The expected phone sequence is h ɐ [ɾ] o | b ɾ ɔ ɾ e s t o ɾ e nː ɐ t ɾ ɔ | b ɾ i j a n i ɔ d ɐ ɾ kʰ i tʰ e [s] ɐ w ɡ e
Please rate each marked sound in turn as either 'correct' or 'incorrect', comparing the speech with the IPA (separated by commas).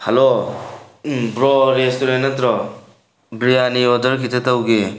incorrect, incorrect